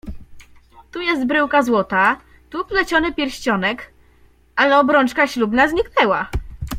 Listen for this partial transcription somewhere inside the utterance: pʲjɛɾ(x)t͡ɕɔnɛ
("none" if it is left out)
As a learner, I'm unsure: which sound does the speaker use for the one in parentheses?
ɕ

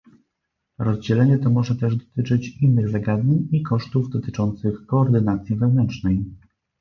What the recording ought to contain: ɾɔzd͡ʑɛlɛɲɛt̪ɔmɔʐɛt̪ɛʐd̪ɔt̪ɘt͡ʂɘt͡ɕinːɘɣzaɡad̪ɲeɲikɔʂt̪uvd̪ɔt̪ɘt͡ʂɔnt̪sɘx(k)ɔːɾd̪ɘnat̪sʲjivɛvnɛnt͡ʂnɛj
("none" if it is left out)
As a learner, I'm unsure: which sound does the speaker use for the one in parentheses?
k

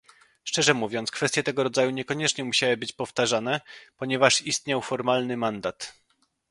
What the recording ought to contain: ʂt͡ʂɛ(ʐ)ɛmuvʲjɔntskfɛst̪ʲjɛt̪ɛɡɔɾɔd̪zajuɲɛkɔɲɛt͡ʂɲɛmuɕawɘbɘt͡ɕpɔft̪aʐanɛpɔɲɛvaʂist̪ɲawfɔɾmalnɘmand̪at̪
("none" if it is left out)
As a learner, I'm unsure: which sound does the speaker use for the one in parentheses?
ʐ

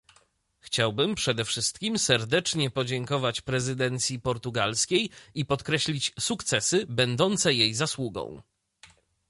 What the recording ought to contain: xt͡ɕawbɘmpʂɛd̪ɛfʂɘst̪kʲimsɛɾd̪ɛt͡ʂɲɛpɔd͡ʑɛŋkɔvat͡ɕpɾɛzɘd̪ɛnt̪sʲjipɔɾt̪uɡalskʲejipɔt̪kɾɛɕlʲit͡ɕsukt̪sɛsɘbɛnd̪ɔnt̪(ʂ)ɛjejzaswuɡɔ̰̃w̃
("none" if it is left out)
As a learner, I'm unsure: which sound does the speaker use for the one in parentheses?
s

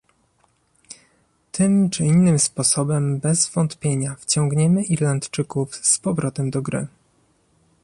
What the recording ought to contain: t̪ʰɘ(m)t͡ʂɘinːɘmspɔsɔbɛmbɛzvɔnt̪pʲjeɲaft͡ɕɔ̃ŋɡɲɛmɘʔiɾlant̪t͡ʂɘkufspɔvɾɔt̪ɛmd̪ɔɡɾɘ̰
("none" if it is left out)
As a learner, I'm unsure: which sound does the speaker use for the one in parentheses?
m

